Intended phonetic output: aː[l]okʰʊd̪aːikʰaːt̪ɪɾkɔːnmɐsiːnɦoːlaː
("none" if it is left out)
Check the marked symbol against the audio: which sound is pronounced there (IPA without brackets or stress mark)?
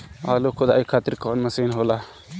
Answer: l